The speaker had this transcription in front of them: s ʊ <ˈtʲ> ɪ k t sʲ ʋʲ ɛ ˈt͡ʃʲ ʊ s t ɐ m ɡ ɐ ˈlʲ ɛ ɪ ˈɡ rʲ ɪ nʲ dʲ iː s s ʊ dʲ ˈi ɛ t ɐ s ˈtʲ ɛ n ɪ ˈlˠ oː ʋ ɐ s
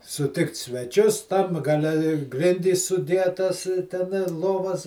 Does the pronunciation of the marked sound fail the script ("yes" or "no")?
no